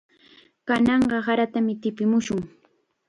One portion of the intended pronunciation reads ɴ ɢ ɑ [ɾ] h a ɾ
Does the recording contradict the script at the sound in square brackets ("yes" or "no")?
yes